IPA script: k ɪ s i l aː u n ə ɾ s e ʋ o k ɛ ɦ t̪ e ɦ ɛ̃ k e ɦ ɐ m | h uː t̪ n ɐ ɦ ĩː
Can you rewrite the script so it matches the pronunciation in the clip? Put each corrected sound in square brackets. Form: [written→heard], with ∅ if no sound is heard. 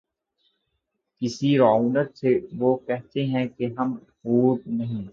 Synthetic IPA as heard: k ɪ s i [l→ɾ] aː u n ə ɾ s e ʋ o k ɛ ɦ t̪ e ɦ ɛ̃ k e ɦ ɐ m | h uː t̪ n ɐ ɦ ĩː